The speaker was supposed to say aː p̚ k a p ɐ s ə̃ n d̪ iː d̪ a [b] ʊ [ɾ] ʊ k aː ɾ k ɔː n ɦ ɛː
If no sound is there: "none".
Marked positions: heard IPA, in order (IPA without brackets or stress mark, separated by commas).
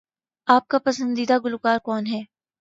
ɡ, l